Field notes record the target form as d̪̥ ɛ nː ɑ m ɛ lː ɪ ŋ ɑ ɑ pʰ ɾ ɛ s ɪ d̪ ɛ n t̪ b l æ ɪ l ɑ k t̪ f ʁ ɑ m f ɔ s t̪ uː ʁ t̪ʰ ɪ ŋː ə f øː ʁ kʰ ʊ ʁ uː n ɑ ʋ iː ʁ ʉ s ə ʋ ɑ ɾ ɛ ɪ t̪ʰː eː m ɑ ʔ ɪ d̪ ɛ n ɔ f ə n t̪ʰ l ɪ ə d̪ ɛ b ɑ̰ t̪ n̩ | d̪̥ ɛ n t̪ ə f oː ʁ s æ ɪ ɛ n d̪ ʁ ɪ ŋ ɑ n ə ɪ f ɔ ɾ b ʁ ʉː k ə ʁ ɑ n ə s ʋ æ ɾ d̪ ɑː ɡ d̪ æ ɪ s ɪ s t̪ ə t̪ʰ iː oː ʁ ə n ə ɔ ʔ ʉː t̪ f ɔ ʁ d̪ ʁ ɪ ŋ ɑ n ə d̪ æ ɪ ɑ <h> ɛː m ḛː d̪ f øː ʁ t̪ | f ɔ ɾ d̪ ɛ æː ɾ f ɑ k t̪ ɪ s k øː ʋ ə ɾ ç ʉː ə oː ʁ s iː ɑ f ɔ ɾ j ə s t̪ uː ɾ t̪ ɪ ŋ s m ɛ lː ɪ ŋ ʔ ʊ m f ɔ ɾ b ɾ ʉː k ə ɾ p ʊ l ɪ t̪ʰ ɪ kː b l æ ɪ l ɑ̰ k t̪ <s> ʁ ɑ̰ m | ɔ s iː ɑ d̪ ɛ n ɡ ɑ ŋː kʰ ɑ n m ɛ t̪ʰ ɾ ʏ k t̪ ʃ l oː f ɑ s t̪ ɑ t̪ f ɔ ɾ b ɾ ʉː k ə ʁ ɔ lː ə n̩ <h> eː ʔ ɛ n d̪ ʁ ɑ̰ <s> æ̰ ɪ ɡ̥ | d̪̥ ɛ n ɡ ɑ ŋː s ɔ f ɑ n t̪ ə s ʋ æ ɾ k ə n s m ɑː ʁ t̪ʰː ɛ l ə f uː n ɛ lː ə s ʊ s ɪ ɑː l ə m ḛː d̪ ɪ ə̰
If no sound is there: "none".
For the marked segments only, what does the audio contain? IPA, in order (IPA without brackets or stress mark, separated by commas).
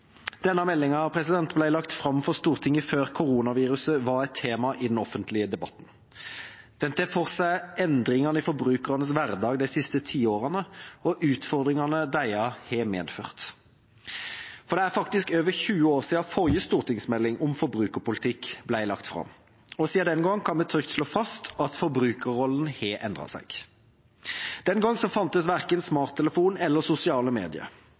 h, f, h, s